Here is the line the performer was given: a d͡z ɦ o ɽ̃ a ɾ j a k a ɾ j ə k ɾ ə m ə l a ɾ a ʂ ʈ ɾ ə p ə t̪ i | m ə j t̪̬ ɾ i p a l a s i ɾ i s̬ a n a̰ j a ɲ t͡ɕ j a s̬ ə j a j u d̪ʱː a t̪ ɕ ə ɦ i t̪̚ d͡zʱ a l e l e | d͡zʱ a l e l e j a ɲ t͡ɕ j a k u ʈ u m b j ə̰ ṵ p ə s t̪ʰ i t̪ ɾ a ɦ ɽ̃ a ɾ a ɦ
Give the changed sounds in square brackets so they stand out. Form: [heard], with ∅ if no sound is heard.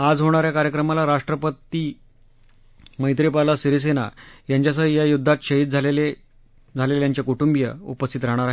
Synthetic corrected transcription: a d͡z ɦ o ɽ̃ a ɾ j a k a ɾ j ə k ɾ ə m [a] l a ɾ a ʂ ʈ ɾ ə p ə t̪ i | m ə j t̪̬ ɾ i p a l a s i ɾ i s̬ [e] n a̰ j a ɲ t͡ɕ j a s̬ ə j a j u d̪ʱː a t̪ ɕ ə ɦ i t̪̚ d͡zʱ a l e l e | d͡zʱ a l e l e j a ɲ t͡ɕ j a k u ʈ u m b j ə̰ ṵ p ə s t̪ʰ i t̪ ɾ a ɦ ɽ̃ a ɾ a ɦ